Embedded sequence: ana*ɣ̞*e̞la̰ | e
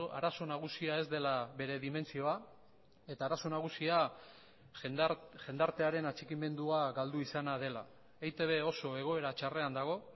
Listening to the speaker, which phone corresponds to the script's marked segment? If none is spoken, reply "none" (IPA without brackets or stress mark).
ð̞